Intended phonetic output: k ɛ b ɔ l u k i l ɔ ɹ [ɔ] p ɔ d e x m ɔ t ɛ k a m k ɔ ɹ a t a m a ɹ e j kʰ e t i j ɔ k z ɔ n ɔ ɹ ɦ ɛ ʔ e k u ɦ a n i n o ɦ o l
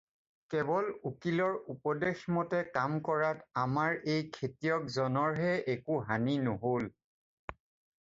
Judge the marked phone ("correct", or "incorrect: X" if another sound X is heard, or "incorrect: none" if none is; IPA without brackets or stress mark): incorrect: u